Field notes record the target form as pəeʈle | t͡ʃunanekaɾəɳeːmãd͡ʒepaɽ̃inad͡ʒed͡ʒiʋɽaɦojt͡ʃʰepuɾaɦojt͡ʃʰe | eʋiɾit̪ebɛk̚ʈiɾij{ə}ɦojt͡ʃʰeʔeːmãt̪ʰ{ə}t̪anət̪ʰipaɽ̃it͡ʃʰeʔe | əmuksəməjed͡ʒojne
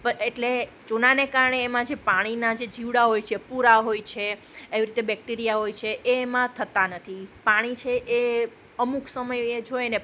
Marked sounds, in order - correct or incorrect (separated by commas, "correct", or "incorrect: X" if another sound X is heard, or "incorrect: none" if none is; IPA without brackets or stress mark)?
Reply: incorrect: a, correct